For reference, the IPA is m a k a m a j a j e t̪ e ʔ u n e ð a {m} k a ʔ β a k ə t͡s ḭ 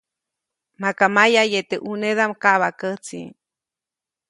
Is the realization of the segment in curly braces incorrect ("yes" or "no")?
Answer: no